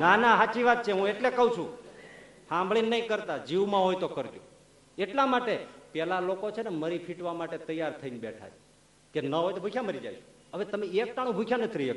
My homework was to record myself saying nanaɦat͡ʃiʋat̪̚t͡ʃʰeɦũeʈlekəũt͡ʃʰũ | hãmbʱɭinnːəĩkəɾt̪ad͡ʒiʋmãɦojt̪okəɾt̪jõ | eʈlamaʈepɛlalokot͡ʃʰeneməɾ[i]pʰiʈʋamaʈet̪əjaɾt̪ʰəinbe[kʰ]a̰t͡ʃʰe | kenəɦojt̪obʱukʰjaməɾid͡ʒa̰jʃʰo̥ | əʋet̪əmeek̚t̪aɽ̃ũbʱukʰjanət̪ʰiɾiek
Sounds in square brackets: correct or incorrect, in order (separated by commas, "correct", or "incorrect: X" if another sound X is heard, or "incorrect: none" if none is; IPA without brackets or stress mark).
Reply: correct, incorrect: ʈʰ